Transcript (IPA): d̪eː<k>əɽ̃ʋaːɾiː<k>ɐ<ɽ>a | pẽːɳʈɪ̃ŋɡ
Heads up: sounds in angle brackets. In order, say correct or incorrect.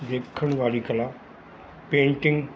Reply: incorrect, correct, incorrect

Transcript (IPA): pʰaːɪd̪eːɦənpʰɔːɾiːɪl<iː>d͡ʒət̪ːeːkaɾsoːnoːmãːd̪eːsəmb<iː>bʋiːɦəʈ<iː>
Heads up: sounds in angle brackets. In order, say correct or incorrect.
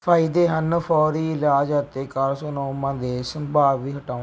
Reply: incorrect, incorrect, incorrect

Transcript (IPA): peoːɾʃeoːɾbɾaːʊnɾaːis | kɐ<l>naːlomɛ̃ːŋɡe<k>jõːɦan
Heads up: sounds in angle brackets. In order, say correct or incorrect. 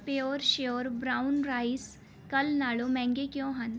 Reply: correct, correct

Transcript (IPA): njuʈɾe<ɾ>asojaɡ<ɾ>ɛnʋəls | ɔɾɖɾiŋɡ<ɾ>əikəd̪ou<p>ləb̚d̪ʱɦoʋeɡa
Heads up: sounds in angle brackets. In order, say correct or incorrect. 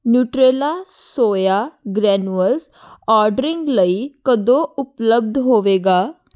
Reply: incorrect, correct, incorrect, correct

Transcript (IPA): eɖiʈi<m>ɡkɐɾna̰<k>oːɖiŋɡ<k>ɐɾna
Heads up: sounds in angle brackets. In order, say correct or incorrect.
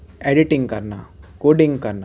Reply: incorrect, correct, correct

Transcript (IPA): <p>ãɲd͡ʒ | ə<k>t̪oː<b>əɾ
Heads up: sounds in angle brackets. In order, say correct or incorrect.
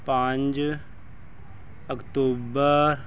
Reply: correct, correct, correct

